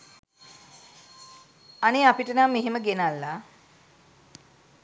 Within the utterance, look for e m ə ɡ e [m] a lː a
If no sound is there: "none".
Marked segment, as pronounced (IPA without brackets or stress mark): n